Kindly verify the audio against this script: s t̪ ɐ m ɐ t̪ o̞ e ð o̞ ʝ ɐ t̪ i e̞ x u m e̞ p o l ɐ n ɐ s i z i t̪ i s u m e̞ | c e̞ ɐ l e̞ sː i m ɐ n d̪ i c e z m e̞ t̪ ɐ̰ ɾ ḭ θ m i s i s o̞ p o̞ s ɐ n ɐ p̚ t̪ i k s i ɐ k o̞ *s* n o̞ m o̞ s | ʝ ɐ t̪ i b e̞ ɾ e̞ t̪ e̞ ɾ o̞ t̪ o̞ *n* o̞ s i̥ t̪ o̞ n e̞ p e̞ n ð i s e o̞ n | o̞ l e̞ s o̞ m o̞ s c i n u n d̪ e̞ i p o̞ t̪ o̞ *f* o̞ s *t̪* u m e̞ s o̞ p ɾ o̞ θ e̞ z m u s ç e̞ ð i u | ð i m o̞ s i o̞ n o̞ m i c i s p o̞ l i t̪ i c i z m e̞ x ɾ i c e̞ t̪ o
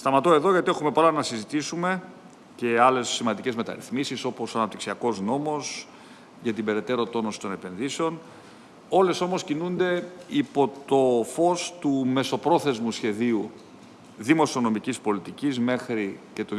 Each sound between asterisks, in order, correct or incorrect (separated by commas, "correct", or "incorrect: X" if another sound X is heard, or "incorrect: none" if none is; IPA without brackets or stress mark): incorrect: z, correct, correct, correct